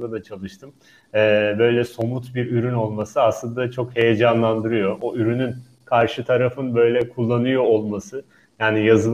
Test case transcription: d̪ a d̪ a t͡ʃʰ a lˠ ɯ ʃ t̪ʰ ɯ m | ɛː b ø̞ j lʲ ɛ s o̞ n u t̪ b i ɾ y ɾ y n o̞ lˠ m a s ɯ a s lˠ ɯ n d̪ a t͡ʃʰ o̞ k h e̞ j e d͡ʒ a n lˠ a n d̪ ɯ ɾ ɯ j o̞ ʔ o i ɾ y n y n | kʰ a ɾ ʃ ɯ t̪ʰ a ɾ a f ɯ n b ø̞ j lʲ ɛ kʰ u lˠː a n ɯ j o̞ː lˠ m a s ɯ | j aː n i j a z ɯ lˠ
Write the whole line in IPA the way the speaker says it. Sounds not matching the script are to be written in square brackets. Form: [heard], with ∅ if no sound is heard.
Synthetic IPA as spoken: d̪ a d̪ a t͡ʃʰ a lˠ ɯ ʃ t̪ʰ ɯ m | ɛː b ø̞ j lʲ ɛ s o̞ [m] u t̪ b i ɾ y ɾ y n o̞ lˠ m a s ɯ a s lˠ ɯ n d̪ a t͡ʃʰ o̞ k h e̞ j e d͡ʒ a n lˠ a n d̪ ɯ ɾ ɯ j o̞ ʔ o [y] ɾ y n y n | kʰ a ɾ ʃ ɯ t̪ʰ a ɾ a f ɯ n b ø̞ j lʲ ɛ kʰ u lˠː a n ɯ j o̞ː lˠ m a s ɯ | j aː n i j a z ɯ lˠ